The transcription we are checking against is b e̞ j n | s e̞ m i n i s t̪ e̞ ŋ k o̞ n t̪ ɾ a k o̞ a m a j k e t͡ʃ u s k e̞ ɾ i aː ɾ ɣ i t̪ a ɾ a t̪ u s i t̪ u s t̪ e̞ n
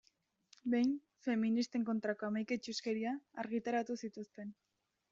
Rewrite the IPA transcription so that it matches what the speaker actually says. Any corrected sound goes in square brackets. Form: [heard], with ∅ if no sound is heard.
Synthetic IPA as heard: b e̞ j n | [f] e̞ m i n i s t̪ e̞ ŋ k o̞ n t̪ ɾ a k o̞ a m a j k e t͡ʃ u s k e̞ ɾ i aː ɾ ɣ i t̪ a ɾ a t̪ u s i t̪ u s t̪ e̞ n